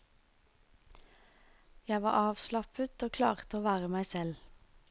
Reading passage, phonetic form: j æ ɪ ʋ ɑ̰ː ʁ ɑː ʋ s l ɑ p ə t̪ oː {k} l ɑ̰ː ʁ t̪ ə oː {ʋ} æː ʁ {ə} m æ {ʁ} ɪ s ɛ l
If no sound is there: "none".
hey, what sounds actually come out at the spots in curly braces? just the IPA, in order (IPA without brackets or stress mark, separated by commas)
kʰ, ʋ, ə, none